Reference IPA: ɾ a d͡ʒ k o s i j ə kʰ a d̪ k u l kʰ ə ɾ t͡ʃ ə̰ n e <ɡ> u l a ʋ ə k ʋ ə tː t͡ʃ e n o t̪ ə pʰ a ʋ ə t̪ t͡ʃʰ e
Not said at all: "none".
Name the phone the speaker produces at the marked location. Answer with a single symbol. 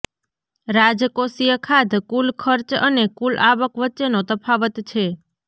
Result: k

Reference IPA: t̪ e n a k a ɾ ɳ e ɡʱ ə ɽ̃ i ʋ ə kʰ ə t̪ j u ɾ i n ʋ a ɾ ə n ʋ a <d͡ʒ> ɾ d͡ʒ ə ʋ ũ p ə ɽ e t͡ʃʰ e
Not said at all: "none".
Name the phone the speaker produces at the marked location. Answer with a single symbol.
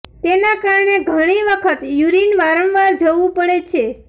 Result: none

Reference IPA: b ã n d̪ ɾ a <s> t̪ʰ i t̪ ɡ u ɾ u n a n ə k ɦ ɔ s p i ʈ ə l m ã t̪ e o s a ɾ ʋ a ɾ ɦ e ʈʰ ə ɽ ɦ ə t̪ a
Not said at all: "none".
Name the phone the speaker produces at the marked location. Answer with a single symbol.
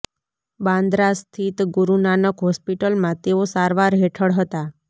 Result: s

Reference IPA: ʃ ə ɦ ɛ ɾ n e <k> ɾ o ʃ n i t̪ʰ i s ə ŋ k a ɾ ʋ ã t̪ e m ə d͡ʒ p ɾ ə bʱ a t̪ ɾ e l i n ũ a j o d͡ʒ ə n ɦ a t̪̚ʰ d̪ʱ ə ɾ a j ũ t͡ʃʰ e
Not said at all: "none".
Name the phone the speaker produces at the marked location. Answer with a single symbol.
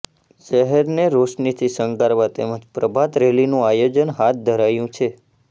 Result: none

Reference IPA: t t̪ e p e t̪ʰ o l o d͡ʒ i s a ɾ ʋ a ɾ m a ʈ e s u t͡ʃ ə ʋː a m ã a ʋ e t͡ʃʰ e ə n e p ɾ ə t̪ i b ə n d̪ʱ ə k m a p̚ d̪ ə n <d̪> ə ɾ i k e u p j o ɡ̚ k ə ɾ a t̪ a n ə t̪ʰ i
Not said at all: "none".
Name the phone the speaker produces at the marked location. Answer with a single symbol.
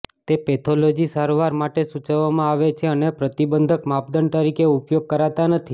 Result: t̪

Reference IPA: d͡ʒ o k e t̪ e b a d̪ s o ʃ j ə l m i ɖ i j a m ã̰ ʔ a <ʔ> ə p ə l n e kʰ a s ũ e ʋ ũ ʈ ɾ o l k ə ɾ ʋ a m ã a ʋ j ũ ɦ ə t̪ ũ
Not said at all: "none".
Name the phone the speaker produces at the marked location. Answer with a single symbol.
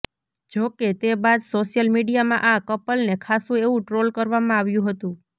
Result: k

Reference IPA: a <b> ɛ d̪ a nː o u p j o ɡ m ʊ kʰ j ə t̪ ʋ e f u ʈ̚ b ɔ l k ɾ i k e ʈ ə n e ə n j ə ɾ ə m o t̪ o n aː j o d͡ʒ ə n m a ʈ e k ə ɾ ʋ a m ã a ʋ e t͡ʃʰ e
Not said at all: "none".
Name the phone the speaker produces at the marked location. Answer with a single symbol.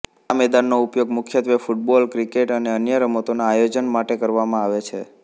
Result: m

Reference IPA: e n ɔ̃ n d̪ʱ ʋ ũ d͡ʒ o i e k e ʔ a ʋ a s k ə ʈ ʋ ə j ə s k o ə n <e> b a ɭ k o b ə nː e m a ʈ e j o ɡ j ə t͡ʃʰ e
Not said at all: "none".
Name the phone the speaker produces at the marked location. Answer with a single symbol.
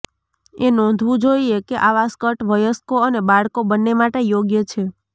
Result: e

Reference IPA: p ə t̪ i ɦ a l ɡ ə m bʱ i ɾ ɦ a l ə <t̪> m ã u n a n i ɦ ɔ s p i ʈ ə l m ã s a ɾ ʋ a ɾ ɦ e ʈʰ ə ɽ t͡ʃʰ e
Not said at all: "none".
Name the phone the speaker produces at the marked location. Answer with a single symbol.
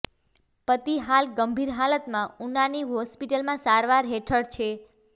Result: t̪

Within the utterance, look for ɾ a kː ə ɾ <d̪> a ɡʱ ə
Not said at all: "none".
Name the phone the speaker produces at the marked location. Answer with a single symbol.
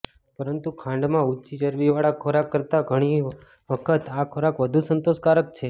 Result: t̪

